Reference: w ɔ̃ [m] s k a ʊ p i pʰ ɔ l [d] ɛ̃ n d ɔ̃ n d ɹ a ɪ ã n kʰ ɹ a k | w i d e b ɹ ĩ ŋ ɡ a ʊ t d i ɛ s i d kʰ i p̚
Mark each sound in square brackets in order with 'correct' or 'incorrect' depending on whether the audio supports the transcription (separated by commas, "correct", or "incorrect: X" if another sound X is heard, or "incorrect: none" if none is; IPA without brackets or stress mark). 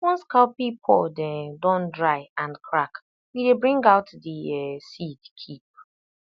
incorrect: n, correct